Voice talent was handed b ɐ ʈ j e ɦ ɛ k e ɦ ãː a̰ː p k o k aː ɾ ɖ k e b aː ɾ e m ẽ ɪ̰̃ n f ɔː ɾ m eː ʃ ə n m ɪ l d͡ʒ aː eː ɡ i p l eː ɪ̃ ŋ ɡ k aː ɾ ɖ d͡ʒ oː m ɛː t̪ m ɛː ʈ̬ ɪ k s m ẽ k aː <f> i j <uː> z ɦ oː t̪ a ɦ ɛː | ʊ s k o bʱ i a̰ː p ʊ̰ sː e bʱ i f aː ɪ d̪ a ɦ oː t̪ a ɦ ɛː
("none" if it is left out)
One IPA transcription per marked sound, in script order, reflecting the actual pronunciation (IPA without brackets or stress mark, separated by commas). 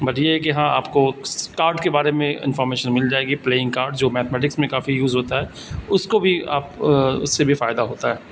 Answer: f, uː